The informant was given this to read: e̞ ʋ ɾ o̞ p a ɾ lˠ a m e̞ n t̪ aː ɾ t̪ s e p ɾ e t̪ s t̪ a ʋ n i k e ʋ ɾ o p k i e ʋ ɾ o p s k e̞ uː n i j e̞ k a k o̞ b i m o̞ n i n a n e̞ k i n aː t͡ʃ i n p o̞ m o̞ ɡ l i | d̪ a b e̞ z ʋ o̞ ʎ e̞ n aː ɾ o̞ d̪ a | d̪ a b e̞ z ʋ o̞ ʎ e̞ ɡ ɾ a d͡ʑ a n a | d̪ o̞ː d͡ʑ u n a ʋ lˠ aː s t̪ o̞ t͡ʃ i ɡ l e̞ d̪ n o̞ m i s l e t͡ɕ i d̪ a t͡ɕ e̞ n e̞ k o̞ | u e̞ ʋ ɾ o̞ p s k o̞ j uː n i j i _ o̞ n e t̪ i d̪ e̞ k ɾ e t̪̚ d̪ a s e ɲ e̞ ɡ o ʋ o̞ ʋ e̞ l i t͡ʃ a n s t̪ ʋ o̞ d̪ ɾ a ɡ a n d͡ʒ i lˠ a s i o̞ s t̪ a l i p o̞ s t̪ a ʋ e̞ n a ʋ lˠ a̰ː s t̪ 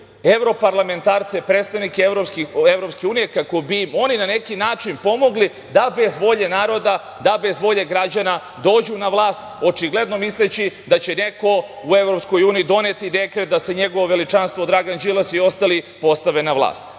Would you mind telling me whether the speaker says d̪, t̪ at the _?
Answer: d̪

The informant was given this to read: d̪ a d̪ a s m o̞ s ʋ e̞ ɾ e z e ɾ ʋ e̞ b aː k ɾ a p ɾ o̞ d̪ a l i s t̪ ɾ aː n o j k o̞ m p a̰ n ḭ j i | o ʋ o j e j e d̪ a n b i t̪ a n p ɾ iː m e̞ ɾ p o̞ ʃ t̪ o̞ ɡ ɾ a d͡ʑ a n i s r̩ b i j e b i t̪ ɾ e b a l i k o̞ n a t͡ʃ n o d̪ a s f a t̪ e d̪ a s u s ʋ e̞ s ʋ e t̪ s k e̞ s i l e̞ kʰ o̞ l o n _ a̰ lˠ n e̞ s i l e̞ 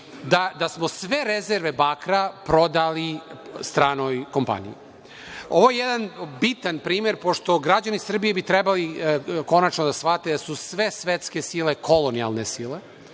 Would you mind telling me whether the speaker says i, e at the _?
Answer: i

